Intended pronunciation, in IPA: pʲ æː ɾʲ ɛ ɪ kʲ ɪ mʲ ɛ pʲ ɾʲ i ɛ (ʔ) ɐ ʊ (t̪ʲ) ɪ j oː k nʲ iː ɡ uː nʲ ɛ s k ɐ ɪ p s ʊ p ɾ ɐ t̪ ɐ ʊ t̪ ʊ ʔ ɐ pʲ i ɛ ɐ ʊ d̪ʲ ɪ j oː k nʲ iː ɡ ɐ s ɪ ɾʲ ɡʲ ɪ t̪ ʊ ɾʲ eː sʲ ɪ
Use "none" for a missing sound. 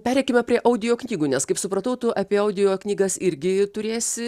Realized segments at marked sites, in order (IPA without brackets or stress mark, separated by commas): ʔ, d̪ʲ